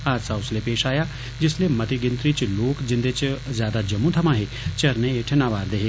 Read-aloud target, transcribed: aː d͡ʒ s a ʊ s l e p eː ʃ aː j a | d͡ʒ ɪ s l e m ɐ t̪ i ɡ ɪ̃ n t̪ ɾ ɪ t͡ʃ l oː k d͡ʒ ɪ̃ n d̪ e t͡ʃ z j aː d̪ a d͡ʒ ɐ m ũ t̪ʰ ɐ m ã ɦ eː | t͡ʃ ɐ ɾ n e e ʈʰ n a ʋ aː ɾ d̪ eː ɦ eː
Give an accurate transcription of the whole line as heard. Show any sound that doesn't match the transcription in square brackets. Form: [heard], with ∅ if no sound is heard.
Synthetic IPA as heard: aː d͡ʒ s a ʊ s l e p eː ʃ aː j a | d͡ʒ ɪ s l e m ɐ t̪ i ɡ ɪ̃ n t̪ ɾ [i] t͡ʃ l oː k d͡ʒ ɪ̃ n d̪ e t͡ʃ z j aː d̪ a d͡ʒ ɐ m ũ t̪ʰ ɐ m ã ɦ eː | t͡ʃ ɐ ɾ n e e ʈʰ n a ʋ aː ɾ d̪ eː ɦ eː